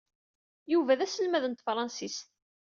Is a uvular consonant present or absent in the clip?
absent